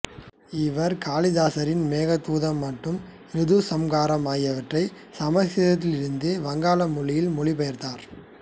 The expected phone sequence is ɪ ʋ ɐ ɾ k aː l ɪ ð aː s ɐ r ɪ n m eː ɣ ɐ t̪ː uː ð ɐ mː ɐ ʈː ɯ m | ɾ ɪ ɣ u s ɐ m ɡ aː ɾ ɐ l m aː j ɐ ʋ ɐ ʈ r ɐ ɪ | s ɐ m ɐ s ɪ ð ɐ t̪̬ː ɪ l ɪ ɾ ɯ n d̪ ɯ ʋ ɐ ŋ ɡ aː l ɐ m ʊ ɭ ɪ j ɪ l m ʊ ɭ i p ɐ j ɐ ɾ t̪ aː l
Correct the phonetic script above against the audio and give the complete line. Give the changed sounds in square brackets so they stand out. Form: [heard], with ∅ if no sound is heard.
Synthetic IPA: ɪ ʋ ɐ ɾ k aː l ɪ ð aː s ɐ [ɾ] ɪ n m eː ɣ ɐ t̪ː uː ð ɐ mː ɐ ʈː ɯ m | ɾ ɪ [ð] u s ɐ m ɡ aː ɾ ɐ [∅] m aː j ɐ ʋ ɐ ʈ r ɐ ɪ | s ɐ m ɐ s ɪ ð ɐ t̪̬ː ɪ l ɪ ɾ ɯ n d̪ ɯ ʋ ɐ ŋ ɡ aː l ɐ m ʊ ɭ ɪ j ɪ l m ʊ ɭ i p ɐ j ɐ ɾ t̪ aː [ɾ]